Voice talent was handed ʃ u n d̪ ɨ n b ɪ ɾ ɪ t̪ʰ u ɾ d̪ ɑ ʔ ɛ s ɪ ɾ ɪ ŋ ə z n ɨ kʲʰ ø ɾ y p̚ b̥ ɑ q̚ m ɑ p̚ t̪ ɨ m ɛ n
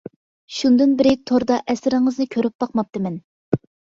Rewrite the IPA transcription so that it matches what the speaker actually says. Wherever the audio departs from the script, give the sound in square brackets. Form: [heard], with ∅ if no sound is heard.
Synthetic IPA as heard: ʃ u n d̪ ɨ n b ɪ ɾ ɪ t̪ʰ [o] ɾ d̪ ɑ ʔ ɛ s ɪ ɾ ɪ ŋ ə z n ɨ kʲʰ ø ɾ y p̚ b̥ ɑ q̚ m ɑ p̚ t̪ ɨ m ɛ n